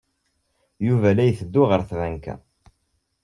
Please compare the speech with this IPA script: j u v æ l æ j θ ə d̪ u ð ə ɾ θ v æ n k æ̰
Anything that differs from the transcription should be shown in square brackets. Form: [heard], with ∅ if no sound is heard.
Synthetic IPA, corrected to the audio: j u v æ l æ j θ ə [d̪ː] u [ʁ] ə ɾ θ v æ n k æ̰